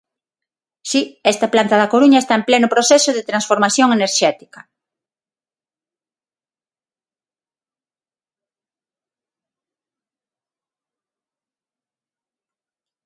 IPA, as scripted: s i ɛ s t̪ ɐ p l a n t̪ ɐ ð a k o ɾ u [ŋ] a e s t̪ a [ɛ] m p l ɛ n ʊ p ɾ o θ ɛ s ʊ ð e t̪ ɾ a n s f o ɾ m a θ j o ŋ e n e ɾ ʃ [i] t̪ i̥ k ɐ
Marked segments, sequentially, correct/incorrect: incorrect: ɲ, incorrect: e, incorrect: ɛ

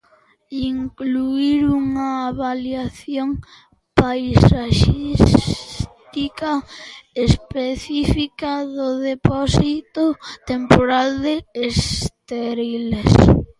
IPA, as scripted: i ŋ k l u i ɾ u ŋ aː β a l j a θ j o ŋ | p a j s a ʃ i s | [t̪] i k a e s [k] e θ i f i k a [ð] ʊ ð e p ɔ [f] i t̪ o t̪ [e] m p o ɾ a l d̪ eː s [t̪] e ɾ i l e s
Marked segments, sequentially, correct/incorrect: correct, incorrect: p, correct, incorrect: s, correct, correct

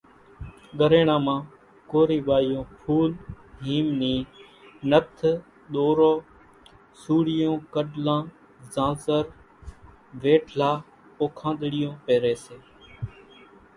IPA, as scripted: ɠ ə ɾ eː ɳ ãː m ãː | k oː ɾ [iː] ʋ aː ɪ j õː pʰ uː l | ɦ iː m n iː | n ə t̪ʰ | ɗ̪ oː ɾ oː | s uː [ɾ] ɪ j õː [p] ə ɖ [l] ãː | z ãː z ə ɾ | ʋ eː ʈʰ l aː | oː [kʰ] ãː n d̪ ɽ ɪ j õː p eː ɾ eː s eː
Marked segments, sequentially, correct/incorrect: correct, incorrect: ɽ, incorrect: k, correct, correct

